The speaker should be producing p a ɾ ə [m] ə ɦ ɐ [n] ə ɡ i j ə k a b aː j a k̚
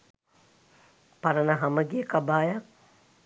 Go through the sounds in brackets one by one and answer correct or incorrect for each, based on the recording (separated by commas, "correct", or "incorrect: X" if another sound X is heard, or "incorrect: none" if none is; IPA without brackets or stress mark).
incorrect: n, incorrect: m